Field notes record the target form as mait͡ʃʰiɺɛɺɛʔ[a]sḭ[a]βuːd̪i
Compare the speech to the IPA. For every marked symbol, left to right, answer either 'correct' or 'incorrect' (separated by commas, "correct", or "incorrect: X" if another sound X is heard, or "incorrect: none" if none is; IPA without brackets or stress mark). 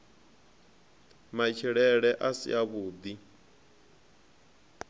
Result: correct, correct